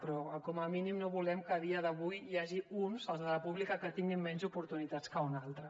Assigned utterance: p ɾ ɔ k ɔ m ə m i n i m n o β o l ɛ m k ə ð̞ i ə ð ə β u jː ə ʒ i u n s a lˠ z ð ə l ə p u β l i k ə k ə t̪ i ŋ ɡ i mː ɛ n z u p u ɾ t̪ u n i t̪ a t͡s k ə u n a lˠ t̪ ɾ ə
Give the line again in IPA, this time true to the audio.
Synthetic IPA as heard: p ɾ ɔ k ɔ m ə m i n i m n o β u l ɛ m k ə ð̞ i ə ð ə β u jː a ʒ i u n s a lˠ z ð ə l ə p u β l i k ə k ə t̪ i ŋ ɡ i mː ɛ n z u p u ɾ t̪ u n i t̪ a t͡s k ə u n a lˠ t̪ ɾ ə

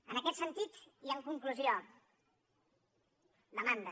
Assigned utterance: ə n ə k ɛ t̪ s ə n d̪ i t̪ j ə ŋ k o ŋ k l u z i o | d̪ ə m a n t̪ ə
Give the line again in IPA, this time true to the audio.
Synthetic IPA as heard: ə n ə k ɛ t̪ s ə n t̪ i t̪ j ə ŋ k u ŋ k l u z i o | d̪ ə m a n d̪ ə

